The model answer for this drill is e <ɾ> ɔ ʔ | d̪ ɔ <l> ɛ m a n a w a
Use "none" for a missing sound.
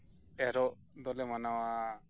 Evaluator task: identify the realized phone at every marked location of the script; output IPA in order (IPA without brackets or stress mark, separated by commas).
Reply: ɾ, l